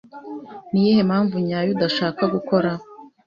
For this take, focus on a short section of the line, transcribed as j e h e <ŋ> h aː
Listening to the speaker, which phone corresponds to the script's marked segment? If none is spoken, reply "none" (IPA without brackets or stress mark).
m